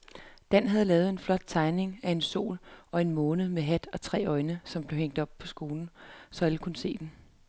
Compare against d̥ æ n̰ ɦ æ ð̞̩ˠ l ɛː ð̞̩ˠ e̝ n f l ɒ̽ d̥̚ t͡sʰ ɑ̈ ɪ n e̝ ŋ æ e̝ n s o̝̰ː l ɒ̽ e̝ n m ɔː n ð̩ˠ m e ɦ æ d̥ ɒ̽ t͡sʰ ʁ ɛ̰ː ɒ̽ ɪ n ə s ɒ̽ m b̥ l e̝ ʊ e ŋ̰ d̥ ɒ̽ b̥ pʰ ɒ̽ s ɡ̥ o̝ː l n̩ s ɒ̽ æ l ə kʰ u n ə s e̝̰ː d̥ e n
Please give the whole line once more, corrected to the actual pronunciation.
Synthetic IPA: d̥ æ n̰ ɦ æ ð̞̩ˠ l ɛː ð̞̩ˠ e̝ n f l ɒ̽ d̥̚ t͡sʰ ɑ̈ ɪ n e̝ ŋ æ e̝ n s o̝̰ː l ɒ̽ e̝ n m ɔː n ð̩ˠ m e ɦ æ d̥ ɒ̽ t͡sʰ ʁ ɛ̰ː ɒ̽ ɪ n ə s ɒ̽ m b̥ l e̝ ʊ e ŋ̰ d̥ ɒ̽ b̥ pʰ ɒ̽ s ɡ̥ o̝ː l n̩ s ɒ̽ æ l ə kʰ u n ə s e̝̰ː d̥ e n

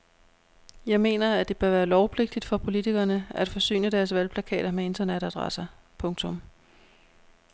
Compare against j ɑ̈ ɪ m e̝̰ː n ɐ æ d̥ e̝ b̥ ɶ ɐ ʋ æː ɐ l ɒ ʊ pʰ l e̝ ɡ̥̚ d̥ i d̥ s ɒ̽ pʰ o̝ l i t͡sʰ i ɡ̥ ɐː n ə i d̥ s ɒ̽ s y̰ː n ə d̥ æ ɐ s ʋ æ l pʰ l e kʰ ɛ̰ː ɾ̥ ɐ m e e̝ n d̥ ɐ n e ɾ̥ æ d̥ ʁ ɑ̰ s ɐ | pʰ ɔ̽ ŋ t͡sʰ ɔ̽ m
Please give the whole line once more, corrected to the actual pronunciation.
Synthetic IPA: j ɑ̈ ɪ m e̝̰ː n ɐ æ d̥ e̝ b̥ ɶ ɐ ʋ æː ɐ l ɒ ʊ pʰ l e̝ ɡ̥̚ d̥ i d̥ f ɒ̽ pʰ o̝ l i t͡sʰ i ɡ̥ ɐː n ə æ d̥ f ɒ̽ s y̰ː n ə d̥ æ ɐ s ʋ æ l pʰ l æ kʰ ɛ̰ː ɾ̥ ɐ m e e̝ n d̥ ɐ n e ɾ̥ æ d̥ ʁ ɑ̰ s ɐ | pʰ ɔ̽ ŋ t͡sʰ ɔ̽ m

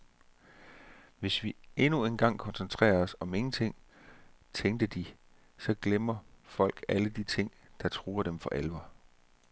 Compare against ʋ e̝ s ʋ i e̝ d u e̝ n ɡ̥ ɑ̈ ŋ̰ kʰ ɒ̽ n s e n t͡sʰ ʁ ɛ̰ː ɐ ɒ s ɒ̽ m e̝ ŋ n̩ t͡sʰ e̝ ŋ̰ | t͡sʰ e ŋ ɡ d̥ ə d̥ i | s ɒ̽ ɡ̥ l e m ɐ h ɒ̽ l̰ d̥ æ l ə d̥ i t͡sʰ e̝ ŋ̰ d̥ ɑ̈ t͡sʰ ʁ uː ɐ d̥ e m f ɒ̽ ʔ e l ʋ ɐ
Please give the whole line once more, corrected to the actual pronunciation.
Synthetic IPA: ʋ e̝ s ʋ i e̝ n u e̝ n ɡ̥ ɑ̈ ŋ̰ kʰ ɒ̽ n s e n t͡sʰ ʁ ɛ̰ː ɐ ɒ s ɒ̽ m e̝ ŋ n̩ t͡sʰ e̝ ŋ̰ | t͡sʰ e ŋ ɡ d̥ ə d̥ i | s ɒ̽ ɡ̥ l e m ɐ f ɒ̽ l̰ ɡ̥ æ l ə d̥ i t͡sʰ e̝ ŋ̰ d̥ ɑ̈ t͡sʰ ʁ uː ɐ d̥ e m f ɒ̽ ʔ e l ʋ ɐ

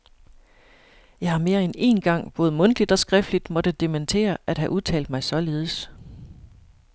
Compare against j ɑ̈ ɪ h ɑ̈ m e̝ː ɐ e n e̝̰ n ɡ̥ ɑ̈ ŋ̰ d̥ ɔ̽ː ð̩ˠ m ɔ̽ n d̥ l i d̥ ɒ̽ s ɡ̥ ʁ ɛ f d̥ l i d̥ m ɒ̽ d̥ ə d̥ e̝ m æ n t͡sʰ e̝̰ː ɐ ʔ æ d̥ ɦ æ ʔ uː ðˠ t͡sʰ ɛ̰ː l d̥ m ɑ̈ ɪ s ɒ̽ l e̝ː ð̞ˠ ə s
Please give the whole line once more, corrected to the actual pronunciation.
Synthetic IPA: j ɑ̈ ɪ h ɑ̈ m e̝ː ɐ e n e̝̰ n ɡ̥ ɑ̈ ŋ̰ b̥ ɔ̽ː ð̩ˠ m ɔ̽ n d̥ l i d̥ ɒ̽ s ɡ̥ ʁ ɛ f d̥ l i d̥ m ɒ̽ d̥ ə d̥ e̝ m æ n t͡sʰ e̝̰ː ɐ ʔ æ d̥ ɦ æ ʔ u ðˠ t͡sʰ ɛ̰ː l d̥ m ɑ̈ ɪ s ɒ̽ l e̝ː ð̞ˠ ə s

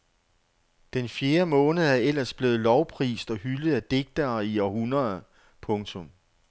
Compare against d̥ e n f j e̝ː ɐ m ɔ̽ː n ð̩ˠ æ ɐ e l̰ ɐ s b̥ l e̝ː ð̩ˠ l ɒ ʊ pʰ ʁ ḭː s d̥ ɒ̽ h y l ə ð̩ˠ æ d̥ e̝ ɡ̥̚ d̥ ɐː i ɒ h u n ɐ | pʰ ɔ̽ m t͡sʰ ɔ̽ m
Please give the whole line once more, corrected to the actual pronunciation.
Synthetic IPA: d̥ e n f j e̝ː ɐ m ɔ̽ː n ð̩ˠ æ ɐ e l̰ ɐ s b̥ l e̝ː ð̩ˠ l ɒ ʊ pʰ ʁ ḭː s d̥ ɒ̽ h y l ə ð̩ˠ æ d̥ e̝ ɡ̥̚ d̥ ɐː i ɒ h u n ɐ | pʰ ɔ̽ ŋ t͡sʰ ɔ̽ m

